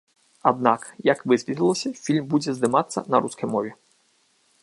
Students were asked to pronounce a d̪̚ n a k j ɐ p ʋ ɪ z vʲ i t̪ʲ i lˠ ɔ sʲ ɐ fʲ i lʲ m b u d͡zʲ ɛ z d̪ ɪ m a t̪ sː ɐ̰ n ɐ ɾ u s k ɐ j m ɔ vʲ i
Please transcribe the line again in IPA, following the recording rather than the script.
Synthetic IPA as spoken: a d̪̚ n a k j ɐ k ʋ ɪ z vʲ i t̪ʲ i lˠ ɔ sʲ ɐ fʲ i lʲ m b u d͡zʲ ɛ z d̪ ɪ m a t̪ sː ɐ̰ n ɐ ɾ u s k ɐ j m ɔ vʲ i